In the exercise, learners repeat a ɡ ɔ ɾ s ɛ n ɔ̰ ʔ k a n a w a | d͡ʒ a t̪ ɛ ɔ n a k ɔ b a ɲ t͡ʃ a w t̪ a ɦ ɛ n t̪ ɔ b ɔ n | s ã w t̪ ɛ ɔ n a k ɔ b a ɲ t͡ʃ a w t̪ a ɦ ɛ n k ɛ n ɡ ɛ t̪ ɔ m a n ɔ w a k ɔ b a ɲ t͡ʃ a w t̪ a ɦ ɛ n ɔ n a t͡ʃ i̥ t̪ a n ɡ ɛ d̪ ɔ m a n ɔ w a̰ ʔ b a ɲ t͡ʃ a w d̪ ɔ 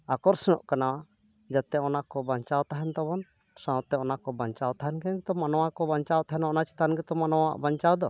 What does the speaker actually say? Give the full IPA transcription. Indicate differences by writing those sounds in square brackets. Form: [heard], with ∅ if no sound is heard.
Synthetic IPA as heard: a [k] ɔ ɾ s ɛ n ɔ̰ ʔ k a n a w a | d͡ʒ a t̪ ɛ ɔ n a k ɔ b a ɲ t͡ʃ a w t̪ a ɦ ɛ n t̪ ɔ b ɔ n | s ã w t̪ ɛ ɔ n a k ɔ b a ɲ t͡ʃ a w t̪ a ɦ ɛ n k ɛ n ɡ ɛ t̪ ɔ m a n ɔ w a k ɔ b a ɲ t͡ʃ a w t̪ a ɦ ɛ n ɔ n a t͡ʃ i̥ t̪ a n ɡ ɛ [t̪] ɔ m a n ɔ w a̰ ʔ b a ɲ t͡ʃ a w d̪ ɔ